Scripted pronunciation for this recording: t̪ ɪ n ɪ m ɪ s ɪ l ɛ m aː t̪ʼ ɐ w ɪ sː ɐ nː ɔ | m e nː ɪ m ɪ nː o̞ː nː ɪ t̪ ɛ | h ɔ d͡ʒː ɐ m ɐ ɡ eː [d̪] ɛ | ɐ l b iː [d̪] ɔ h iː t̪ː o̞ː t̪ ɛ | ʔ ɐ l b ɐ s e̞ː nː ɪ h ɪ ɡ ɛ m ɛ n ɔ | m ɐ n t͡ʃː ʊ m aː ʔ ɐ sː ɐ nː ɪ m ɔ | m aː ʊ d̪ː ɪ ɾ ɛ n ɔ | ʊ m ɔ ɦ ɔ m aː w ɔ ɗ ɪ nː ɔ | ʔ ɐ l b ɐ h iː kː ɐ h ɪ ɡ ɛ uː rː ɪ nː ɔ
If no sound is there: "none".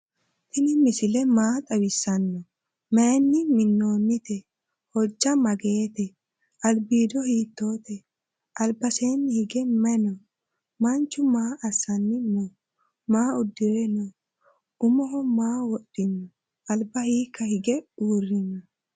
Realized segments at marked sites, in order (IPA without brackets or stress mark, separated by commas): t̪, d̪